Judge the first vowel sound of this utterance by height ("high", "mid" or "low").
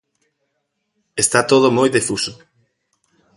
mid